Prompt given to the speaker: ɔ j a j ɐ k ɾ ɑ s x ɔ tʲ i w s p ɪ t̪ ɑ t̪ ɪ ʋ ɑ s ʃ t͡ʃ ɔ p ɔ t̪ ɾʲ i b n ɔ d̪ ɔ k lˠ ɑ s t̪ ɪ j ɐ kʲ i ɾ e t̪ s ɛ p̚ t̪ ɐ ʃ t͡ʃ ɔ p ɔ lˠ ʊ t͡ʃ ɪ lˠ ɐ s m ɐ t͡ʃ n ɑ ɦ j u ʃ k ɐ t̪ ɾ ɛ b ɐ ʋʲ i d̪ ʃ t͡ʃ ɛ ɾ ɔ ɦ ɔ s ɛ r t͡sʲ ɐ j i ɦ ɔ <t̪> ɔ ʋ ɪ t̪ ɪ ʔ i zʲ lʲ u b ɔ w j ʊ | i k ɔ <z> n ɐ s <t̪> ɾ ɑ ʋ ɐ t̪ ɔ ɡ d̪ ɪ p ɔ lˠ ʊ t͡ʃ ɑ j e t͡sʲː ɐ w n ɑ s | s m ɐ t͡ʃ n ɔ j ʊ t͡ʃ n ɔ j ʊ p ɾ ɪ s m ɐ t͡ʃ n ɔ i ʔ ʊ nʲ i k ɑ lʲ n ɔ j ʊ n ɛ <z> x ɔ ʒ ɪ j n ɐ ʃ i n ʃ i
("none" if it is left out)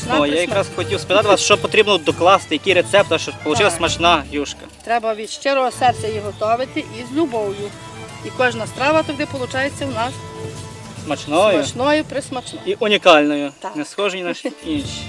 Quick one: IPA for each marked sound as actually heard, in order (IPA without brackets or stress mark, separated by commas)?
t̪, ʒ, t̪, s